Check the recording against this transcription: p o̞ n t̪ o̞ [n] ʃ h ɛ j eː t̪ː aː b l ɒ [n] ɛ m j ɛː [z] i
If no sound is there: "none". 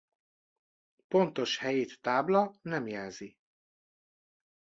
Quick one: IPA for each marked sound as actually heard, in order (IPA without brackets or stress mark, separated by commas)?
none, n, z